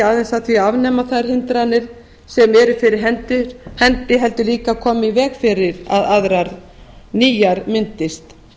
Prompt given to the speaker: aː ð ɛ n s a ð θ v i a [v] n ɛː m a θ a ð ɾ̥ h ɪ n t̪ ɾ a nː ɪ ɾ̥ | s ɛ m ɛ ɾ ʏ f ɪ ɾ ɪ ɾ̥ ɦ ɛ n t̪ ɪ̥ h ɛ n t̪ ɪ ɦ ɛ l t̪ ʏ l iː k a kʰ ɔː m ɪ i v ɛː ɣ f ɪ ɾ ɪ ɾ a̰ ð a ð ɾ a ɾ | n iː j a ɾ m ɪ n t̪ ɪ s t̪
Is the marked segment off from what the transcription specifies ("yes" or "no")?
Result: no